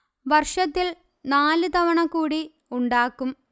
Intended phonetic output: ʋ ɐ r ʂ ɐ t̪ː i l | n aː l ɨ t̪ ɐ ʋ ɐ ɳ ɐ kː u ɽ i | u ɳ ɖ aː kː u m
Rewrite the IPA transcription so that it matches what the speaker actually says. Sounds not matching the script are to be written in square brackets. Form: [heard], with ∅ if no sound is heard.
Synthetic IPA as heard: ʋ ɐ r ʂ ɐ t̪ː i l | n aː l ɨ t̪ ɐ ʋ ɐ ɳ ɐ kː [uː] ɽ i | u ɳ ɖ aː kː u m